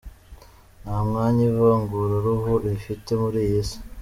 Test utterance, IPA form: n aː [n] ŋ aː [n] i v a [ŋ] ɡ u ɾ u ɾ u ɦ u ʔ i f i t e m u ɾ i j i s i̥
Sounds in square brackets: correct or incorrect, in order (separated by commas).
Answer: incorrect, incorrect, correct